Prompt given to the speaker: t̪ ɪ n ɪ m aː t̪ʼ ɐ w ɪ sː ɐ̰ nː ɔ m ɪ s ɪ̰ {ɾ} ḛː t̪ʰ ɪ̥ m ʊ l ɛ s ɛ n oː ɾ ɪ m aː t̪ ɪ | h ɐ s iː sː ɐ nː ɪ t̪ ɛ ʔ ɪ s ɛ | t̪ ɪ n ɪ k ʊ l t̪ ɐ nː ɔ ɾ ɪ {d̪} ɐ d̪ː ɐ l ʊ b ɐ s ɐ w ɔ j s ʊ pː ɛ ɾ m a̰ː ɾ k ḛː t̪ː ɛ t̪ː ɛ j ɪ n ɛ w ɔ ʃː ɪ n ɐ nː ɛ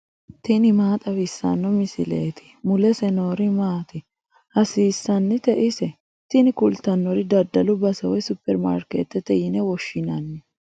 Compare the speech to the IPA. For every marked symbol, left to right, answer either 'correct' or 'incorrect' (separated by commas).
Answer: incorrect, correct